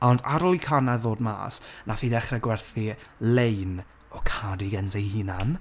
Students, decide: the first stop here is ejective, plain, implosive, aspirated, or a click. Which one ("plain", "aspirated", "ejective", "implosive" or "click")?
plain